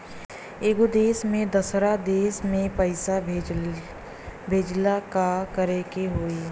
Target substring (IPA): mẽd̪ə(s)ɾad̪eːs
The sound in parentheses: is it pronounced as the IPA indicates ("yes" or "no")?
yes